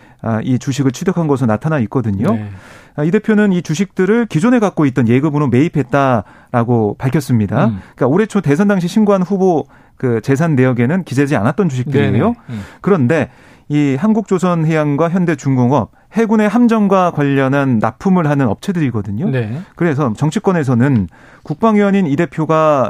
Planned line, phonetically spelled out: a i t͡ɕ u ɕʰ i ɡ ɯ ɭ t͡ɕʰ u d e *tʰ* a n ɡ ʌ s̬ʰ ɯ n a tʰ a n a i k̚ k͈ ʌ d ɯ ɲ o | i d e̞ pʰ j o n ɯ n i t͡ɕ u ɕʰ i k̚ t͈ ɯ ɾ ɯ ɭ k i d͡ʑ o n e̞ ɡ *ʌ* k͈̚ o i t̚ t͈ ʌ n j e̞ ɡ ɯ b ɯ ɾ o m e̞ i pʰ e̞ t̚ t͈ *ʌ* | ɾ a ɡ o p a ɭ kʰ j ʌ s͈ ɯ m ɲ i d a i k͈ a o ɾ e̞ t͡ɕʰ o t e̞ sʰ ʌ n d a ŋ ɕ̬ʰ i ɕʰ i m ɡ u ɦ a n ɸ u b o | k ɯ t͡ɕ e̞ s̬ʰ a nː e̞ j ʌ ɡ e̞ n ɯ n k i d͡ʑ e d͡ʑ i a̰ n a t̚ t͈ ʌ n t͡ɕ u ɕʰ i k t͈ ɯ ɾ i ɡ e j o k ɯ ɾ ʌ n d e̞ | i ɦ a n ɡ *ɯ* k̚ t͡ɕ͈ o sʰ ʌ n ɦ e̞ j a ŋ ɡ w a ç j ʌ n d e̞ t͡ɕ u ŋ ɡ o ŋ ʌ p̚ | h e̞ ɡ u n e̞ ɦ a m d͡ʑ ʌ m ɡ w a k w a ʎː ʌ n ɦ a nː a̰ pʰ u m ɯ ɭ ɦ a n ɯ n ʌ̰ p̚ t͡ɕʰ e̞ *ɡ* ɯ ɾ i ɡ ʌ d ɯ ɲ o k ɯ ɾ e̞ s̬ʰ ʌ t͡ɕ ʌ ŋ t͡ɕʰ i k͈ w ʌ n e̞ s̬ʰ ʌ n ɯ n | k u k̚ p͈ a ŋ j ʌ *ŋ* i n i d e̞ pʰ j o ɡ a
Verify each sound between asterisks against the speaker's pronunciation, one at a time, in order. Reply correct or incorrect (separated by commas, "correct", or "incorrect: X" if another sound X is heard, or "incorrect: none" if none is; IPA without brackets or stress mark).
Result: incorrect: kʰ, incorrect: a, incorrect: a, incorrect: u, incorrect: d, incorrect: ɲ